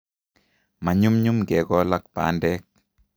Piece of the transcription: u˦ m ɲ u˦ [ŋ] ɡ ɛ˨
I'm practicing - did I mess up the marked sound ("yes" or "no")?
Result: yes